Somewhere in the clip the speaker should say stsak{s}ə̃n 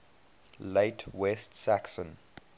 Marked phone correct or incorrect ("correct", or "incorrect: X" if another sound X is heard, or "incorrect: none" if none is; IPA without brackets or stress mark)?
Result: correct